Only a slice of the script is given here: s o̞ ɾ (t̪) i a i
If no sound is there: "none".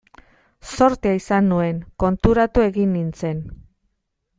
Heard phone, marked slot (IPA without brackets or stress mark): t̪